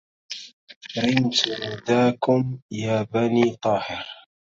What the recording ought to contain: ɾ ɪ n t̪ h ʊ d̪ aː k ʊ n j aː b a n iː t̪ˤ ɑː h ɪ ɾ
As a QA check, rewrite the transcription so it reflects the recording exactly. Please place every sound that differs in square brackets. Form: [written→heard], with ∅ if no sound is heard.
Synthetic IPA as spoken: ɾ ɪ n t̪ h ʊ d̪ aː k ʊ [n→m] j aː b a n iː t̪ˤ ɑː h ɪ ɾ